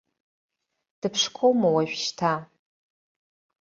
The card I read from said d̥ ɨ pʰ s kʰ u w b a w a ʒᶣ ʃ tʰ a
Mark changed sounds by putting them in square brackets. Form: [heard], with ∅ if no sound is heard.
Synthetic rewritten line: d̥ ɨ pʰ [ʂ] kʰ [o] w [m] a w a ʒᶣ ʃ tʰ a